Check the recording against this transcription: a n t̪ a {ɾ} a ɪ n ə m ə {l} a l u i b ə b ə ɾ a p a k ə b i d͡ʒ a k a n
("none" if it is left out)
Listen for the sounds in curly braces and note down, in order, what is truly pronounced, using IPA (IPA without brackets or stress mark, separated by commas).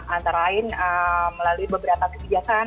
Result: ɾ, l